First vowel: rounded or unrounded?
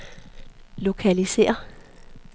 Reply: rounded